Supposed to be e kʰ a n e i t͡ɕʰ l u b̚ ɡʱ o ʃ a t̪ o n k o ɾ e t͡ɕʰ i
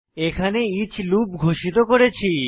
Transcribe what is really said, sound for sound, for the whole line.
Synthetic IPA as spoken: e kʰ a n e i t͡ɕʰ l u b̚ ɡʱ o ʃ i t̪ o k o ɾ e t͡ɕʰ i